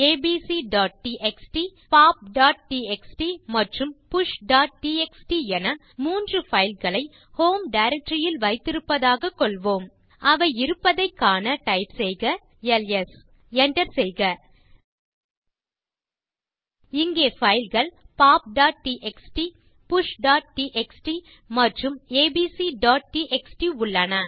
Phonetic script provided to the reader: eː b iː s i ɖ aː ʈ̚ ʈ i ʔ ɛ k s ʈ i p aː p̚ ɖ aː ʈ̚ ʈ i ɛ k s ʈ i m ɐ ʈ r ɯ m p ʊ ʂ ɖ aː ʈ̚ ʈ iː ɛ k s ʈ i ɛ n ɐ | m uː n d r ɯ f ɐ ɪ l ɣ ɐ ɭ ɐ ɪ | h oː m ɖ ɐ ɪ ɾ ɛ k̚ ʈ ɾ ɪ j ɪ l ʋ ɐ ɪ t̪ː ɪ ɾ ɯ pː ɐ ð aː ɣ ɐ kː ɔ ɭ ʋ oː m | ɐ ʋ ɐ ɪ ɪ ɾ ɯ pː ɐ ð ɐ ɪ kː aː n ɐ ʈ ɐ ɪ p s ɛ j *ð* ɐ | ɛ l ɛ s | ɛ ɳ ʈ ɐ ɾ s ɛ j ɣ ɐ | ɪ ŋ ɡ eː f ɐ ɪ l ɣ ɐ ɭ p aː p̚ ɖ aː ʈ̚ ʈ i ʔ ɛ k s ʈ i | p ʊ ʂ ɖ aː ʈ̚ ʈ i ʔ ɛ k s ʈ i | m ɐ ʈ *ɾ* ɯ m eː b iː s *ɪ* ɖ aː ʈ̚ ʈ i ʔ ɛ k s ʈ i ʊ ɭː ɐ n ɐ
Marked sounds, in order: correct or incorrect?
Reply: incorrect, incorrect, incorrect

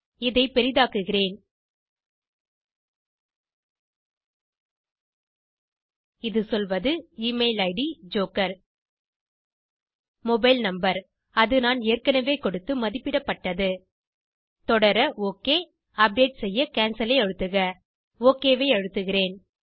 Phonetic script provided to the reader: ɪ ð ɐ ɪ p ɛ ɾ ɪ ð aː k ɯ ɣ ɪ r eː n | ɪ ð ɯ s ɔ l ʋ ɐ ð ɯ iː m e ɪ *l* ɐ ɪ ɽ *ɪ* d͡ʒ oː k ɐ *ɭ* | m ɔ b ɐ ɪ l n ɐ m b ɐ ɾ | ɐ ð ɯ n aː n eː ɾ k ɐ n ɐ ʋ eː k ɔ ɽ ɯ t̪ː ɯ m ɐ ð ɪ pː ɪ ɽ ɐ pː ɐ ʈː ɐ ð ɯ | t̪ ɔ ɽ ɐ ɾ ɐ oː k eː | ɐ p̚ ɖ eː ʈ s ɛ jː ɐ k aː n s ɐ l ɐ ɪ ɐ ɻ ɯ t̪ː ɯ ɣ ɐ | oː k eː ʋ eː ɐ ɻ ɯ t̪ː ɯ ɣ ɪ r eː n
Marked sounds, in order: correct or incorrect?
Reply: correct, incorrect, incorrect

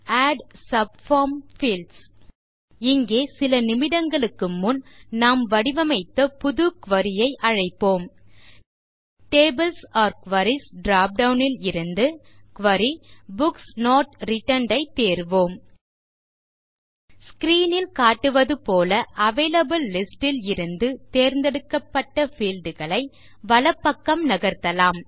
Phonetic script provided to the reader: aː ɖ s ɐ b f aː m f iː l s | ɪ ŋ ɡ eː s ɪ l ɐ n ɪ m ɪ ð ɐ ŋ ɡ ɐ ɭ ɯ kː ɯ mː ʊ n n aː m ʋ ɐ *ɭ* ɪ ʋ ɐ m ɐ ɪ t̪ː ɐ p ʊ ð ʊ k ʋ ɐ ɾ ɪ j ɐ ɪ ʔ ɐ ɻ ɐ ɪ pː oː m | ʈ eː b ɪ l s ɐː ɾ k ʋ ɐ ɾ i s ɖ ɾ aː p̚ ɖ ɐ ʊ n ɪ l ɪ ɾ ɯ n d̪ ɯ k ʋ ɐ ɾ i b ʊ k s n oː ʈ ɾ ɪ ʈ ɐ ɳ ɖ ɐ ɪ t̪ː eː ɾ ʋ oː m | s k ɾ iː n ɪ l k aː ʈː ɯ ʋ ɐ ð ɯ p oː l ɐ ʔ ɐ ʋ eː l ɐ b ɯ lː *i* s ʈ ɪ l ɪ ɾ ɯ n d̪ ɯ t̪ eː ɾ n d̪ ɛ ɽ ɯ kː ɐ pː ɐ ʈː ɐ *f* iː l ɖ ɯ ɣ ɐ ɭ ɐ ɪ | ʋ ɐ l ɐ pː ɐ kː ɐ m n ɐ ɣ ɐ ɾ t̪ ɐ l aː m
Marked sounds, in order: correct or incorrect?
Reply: incorrect, incorrect, correct

